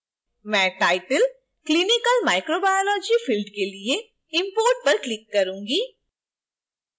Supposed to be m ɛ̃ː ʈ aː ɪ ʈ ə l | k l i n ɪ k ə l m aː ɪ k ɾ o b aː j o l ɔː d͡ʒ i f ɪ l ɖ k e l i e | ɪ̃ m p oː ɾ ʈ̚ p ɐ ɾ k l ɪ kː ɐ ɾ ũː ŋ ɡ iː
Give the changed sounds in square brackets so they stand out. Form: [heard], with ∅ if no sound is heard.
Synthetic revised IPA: m ɛ̃ː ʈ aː ɪ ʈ ə l | k l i n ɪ k ə l m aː ɪ k ɾ o b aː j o l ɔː d͡ʒ i f ɪ l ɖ k e l i e | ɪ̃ m p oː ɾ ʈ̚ p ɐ ɾ k l ɪ kː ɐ ɾ ũː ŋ ɡ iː